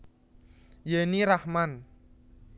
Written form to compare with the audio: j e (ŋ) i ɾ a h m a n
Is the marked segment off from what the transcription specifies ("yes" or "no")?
yes